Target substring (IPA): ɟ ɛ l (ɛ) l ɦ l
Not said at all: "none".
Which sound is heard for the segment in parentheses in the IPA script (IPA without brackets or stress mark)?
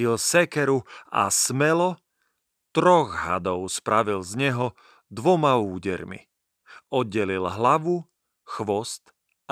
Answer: i